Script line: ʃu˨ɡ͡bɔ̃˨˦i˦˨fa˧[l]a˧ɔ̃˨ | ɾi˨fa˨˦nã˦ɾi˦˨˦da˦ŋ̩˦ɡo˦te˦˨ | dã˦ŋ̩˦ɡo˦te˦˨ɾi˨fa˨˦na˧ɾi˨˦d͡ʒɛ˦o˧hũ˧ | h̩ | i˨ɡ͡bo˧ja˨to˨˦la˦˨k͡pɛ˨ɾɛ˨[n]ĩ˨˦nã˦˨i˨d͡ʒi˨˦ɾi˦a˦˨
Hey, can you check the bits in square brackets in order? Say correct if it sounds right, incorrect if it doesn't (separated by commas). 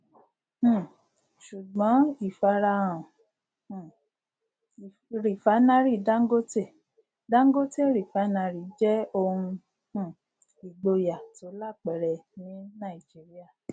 incorrect, correct